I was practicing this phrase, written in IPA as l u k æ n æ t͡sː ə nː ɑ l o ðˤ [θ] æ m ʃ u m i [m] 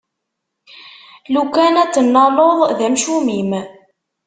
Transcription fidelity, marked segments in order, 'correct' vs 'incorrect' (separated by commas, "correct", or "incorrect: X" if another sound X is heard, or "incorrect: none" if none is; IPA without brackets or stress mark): incorrect: ð, correct